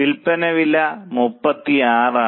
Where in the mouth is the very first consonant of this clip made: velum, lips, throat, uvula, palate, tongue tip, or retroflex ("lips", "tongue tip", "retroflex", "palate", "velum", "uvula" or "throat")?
tongue tip